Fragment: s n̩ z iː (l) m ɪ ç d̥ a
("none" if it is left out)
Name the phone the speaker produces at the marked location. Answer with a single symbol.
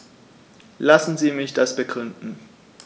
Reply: none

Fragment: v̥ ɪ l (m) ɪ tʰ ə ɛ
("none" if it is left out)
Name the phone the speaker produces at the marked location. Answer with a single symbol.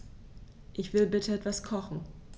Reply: b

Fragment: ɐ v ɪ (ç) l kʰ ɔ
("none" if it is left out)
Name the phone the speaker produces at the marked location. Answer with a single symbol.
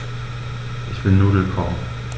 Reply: none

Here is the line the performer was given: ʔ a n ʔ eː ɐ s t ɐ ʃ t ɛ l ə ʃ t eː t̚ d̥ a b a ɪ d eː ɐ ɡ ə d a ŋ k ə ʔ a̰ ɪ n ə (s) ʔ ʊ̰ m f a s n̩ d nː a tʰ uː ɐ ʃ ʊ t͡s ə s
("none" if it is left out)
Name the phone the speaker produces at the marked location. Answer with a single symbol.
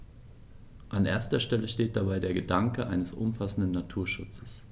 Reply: s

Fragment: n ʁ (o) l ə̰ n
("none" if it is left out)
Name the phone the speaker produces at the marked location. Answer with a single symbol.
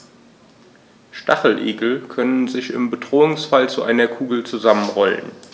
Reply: ɔ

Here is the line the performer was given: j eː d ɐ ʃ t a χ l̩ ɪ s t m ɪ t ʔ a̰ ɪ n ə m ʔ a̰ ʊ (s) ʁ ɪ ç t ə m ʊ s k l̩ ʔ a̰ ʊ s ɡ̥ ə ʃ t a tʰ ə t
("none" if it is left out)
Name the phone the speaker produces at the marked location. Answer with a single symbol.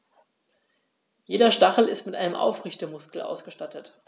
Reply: f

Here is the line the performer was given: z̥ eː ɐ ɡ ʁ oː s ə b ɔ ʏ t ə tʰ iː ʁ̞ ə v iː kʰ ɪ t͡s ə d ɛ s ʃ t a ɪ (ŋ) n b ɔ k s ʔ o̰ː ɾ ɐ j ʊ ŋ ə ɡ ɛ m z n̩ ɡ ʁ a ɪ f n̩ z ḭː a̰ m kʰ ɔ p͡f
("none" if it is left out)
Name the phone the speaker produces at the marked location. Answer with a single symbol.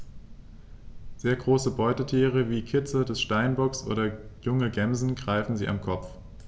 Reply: none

